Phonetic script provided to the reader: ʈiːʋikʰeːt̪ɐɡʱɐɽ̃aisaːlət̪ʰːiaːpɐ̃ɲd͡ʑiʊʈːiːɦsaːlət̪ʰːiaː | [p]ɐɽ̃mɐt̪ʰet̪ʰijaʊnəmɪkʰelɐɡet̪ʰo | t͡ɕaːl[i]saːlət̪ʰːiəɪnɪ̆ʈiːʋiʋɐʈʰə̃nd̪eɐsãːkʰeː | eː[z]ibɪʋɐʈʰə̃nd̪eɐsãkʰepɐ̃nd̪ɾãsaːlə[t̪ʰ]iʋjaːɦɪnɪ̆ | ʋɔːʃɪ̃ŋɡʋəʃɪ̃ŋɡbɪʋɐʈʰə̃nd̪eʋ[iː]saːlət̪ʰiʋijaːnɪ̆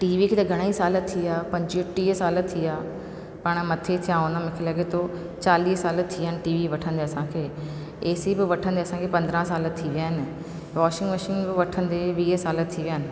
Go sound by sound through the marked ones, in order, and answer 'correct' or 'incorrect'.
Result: correct, incorrect: iː, incorrect: s, correct, correct

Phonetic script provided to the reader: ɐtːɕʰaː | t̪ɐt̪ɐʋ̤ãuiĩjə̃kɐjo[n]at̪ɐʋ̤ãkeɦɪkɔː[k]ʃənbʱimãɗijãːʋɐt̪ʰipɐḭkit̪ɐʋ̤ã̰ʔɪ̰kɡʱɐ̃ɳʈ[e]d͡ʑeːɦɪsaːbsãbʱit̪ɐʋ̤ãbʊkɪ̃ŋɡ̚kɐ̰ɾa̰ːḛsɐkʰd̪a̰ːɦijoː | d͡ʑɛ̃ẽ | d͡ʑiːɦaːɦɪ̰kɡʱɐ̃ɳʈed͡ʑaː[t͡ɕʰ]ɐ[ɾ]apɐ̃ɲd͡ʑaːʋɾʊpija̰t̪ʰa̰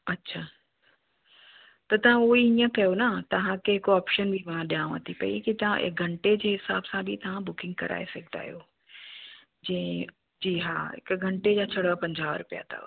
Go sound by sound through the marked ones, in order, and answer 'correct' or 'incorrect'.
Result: correct, incorrect: p, correct, correct, incorrect: ɽ

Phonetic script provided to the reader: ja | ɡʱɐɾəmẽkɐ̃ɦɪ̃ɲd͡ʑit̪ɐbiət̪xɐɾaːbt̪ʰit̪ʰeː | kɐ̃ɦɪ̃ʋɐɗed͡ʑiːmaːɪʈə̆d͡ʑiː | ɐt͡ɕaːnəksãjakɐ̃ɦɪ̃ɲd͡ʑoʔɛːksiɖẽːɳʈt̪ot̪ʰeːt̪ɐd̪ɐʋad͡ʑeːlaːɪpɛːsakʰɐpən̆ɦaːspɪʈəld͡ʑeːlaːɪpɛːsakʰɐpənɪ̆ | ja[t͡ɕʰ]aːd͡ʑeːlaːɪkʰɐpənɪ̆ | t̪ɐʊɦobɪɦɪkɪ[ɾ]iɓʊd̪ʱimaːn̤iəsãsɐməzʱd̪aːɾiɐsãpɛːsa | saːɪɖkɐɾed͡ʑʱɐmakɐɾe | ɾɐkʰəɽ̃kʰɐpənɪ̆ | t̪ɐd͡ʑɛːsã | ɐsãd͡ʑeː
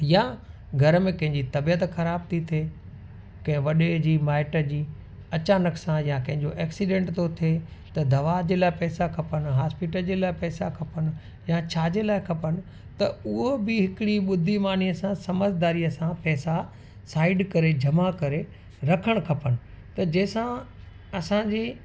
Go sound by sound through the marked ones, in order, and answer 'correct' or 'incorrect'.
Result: correct, incorrect: ɽ

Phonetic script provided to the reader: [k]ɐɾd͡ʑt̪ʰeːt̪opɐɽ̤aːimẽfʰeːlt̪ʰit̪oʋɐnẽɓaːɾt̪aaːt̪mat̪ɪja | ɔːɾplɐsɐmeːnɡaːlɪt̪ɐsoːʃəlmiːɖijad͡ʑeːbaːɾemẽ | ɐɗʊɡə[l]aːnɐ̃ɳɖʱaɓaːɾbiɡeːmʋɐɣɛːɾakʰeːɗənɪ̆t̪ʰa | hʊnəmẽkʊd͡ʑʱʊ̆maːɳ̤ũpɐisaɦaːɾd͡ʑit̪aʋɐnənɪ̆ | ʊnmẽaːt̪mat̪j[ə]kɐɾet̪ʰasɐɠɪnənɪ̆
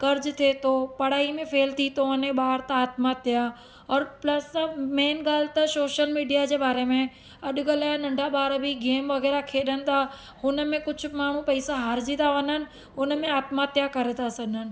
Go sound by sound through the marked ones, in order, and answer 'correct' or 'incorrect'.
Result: correct, correct, incorrect: a

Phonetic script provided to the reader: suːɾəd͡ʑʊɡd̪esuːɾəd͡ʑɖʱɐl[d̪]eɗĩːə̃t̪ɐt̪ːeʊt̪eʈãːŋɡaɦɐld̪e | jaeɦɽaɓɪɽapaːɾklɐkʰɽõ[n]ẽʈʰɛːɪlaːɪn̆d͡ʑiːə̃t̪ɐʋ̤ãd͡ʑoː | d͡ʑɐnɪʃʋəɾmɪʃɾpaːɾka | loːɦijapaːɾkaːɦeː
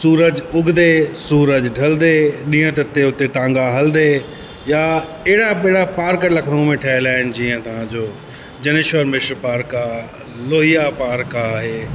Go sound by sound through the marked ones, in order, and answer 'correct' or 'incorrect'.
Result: correct, incorrect: m

